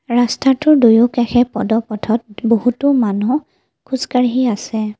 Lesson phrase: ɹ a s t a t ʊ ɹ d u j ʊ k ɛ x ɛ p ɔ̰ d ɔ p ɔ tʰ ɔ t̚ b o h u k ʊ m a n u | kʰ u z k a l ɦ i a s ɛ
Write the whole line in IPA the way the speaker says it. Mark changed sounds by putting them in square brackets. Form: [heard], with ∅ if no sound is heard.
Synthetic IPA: ɹ a s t a t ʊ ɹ d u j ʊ k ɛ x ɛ p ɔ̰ d ɔ p ɔ tʰ ɔ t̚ b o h u [t] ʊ m a n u | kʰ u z k a [ɹ] ɦ i a s ɛ